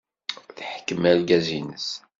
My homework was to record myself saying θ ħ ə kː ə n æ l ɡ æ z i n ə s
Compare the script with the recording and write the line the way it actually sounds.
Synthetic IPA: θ ħ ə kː ə m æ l ɡ æ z i n ə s